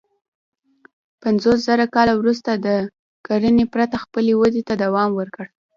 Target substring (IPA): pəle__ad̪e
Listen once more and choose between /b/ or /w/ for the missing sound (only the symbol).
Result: w